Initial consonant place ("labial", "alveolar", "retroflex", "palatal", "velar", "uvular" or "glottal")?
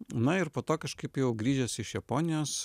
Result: alveolar